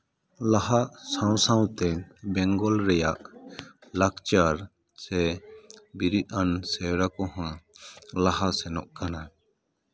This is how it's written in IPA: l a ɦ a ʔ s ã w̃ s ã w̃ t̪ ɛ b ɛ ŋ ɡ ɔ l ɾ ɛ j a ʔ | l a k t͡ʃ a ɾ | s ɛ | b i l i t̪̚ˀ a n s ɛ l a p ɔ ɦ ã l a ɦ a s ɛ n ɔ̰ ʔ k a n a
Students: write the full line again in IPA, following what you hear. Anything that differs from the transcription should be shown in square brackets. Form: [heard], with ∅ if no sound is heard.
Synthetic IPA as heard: l a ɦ a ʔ s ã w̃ s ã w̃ t̪ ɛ b ɛ ŋ ɡ ɔ l ɾ ɛ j a ʔ | l a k t͡ʃ a ɾ | s ɛ | b i [ɾ] i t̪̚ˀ a n s ɛ [ɾ] a [k] ɔ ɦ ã l a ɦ a s ɛ n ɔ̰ ʔ k a n a